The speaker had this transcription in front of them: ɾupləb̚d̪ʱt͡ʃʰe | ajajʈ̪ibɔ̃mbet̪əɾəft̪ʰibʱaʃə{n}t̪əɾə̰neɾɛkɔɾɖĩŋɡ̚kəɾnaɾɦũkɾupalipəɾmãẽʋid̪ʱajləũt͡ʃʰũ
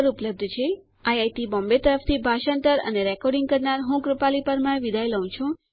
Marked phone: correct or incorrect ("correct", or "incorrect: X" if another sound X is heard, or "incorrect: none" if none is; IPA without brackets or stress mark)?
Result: correct